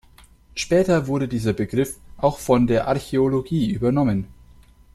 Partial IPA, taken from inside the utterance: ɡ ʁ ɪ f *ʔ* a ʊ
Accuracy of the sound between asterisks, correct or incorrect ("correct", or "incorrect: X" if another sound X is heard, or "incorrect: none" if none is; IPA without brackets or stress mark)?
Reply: correct